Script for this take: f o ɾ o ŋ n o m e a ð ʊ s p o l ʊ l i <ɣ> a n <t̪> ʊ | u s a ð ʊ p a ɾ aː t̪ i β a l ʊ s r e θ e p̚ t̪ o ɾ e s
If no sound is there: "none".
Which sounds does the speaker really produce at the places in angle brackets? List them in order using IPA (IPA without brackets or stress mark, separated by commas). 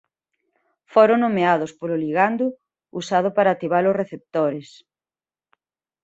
ɣ, d̪